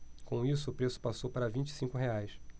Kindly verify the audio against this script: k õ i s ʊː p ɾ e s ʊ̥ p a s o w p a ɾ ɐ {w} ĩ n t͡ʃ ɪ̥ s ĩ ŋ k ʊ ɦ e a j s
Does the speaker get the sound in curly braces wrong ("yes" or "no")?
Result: yes